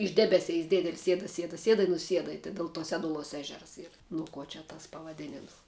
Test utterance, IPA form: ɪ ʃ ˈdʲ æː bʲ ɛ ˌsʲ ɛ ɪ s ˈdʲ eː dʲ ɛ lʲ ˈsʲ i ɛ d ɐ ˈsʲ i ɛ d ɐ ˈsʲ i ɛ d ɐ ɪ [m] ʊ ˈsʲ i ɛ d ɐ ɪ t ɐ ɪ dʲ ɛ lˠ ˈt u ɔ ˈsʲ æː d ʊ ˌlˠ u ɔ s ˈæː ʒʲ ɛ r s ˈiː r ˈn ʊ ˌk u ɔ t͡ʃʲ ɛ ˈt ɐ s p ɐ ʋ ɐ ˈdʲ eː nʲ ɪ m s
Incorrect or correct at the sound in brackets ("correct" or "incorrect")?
incorrect